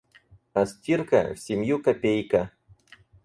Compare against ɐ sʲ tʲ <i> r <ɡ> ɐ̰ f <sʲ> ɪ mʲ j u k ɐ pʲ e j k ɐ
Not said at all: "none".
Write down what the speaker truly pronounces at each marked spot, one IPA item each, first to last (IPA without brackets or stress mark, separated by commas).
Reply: i, k, sʲ